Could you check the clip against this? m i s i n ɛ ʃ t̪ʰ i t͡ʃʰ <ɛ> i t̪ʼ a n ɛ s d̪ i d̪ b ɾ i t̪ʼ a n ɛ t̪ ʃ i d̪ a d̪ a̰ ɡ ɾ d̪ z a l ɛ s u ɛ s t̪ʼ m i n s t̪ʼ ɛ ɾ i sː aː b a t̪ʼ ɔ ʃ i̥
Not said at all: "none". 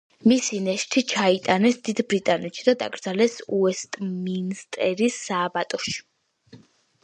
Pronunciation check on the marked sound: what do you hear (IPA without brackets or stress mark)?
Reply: a